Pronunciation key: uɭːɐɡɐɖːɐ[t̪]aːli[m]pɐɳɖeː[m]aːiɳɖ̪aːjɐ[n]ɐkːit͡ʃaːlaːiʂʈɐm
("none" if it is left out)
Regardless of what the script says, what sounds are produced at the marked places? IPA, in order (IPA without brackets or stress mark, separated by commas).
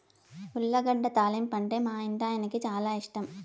t̪, m, m, n